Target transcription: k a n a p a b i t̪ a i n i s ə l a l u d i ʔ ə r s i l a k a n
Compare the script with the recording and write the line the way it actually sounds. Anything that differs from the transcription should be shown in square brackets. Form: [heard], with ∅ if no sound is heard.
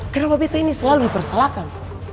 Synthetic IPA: k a n a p a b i t̪ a i n i s ə l a l u d i [p] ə r s [a] l a k a n

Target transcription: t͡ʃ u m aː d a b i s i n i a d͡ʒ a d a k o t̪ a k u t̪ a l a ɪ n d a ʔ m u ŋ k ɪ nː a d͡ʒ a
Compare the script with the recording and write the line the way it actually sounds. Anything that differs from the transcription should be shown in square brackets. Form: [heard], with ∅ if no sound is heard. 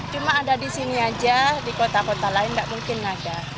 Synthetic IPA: t͡ʃ u m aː d a [d] i s i n i a d͡ʒ a d [i] k o t̪ a k [o] t̪ a l a ɪ n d a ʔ m u ŋ k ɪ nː a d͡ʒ a

